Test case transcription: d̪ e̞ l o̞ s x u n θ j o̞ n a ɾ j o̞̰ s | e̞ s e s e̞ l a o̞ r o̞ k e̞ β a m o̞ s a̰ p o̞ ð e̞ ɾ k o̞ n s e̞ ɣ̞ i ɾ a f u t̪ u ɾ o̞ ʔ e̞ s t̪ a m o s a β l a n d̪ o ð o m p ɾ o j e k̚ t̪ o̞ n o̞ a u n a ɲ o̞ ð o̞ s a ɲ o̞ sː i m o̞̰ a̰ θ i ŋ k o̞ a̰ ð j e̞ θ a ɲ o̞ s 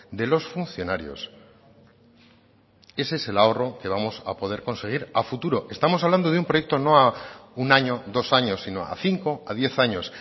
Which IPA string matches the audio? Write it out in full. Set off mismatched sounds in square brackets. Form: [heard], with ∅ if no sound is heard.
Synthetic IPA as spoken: d̪ e̞ l o̞ s [f] u n θ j o̞ n a ɾ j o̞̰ s | e̞ s e s e̞ l a o̞ r o̞ k e̞ β a m o̞ s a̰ p o̞ ð e̞ ɾ k o̞ n s e̞ ɣ̞ i ɾ a f u t̪ u ɾ o̞ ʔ e̞ s t̪ a m o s a β l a n d̪ o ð [u] m p ɾ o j e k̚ t̪ o̞ n o̞ a u n a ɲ o̞ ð o̞ s a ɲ o̞ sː i [n] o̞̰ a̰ θ i ŋ k o̞ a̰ ð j e̞ θ a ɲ o̞ s